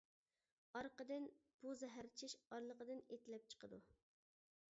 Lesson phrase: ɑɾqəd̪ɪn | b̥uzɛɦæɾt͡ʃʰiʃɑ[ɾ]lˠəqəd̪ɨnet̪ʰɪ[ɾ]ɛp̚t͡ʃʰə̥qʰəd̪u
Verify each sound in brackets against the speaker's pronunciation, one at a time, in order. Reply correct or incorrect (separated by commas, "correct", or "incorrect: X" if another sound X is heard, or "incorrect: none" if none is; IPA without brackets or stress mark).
correct, incorrect: l